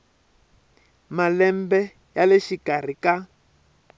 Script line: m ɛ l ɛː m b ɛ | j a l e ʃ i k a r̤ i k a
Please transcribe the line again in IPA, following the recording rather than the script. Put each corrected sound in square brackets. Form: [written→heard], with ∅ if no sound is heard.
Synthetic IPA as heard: m [ɛ→a] l [ɛː→ɛ] m b ɛ | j a l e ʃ i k a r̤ i k a